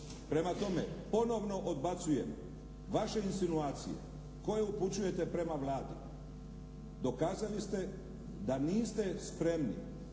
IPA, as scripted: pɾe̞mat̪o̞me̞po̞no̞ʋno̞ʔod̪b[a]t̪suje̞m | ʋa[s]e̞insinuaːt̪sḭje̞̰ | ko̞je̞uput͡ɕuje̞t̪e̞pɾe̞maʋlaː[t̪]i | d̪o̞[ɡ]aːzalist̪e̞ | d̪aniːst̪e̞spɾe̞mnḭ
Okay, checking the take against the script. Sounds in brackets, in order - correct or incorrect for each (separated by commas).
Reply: correct, incorrect, incorrect, incorrect